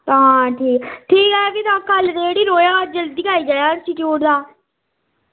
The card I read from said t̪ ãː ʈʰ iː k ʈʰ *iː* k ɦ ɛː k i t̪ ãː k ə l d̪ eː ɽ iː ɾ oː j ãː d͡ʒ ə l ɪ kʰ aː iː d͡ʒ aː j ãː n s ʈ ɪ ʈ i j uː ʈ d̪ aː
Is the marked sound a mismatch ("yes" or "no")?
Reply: no